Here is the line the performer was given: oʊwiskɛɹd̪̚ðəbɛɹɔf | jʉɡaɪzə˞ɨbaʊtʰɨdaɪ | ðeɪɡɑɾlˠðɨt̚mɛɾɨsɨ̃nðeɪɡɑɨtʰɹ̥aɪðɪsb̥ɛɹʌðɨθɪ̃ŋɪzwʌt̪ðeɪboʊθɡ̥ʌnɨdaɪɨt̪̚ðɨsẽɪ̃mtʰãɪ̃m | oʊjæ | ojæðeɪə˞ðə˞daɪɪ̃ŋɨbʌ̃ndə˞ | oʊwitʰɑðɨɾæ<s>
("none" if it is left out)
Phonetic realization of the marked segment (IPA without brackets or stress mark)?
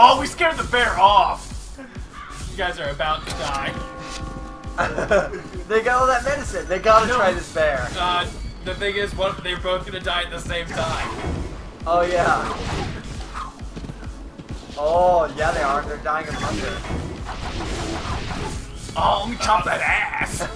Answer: s